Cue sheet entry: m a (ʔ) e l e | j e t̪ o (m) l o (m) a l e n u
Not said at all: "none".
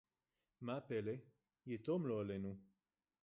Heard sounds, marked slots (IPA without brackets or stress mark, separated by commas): p, m, none